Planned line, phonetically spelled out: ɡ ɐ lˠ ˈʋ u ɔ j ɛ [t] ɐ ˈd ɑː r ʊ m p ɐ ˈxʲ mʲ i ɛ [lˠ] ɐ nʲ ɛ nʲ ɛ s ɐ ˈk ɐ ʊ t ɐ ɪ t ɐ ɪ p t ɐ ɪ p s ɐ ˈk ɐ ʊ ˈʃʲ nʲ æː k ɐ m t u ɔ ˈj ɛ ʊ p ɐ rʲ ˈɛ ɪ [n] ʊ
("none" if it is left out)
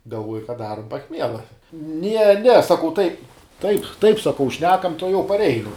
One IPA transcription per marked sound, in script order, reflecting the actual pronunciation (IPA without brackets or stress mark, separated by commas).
k, lˠ, n